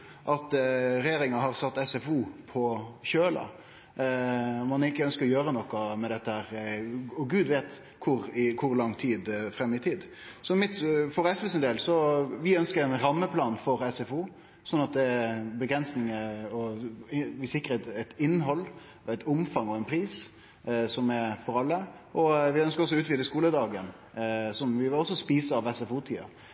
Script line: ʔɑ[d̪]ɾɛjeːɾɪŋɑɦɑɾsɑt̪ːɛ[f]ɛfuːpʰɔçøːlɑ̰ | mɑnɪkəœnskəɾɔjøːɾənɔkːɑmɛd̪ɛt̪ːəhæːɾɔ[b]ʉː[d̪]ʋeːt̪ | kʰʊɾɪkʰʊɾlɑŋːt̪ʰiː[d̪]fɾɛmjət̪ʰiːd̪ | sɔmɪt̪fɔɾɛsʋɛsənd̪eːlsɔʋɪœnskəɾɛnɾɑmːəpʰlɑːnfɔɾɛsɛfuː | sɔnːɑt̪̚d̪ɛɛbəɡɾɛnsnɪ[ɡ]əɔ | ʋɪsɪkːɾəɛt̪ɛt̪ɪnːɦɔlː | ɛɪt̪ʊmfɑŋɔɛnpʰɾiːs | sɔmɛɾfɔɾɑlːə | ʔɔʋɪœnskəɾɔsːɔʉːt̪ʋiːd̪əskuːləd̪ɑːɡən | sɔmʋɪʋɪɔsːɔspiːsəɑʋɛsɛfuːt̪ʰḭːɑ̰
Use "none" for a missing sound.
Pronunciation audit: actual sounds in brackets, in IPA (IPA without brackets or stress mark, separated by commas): t̪, s, ɡ, d̪, d̪, ŋ